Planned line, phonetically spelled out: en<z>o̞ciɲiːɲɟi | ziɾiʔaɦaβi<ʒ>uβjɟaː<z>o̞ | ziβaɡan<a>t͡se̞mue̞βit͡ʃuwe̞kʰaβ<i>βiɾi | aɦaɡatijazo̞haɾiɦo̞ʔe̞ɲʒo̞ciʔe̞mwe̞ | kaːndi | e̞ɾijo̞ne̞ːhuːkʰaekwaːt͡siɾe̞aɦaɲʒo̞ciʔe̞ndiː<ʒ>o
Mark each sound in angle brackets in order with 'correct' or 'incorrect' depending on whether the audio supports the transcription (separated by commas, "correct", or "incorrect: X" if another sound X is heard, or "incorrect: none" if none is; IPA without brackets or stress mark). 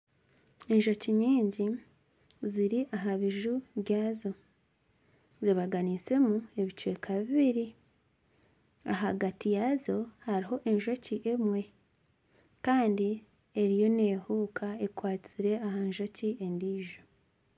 incorrect: ʒ, correct, correct, incorrect: i, correct, correct